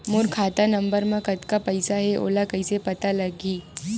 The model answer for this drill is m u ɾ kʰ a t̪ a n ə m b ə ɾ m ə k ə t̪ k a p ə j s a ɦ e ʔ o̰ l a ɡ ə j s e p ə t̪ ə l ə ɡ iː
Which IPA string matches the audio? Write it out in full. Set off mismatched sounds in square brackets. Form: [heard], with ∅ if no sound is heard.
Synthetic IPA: m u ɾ kʰ a t̪ a n ə m b ə ɾ m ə k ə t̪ k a p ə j s a ɦ e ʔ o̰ l a [k] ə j s e p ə t̪ [a] l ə ɡ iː